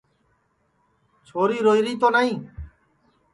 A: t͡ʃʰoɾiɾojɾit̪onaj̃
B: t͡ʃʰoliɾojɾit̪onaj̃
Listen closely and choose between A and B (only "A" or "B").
A